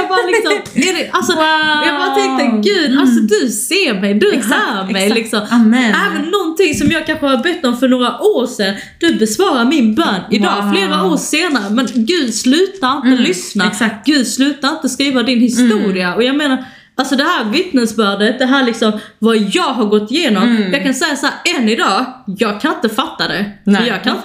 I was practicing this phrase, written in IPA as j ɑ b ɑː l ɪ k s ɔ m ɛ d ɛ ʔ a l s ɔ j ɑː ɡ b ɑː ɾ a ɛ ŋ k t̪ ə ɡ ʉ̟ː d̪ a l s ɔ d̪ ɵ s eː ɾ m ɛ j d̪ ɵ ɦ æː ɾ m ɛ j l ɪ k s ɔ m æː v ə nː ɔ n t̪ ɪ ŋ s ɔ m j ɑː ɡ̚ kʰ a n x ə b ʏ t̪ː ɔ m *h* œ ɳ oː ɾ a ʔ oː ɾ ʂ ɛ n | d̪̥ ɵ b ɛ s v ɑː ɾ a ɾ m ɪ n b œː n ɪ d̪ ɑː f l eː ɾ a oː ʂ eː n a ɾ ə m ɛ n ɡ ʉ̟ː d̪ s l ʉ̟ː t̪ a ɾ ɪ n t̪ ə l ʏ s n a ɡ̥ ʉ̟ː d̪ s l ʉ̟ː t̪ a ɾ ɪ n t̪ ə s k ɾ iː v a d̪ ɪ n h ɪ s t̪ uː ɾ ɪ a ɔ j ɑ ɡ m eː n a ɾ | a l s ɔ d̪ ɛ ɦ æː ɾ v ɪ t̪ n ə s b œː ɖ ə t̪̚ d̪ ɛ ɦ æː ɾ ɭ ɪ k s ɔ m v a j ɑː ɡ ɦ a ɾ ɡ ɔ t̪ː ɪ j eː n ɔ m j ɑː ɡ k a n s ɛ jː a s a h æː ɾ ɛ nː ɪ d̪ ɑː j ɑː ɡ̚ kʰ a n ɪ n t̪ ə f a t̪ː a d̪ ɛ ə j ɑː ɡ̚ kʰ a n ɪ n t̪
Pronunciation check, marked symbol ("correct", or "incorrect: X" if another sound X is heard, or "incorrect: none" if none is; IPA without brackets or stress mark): incorrect: f